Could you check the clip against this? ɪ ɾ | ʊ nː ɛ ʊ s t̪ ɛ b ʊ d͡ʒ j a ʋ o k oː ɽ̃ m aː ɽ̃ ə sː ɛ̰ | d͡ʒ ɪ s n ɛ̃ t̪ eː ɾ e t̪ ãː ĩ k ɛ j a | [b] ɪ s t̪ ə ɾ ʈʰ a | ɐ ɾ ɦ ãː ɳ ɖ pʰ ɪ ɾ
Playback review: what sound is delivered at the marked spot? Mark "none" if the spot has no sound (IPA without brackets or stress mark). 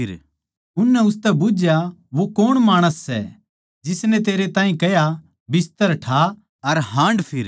b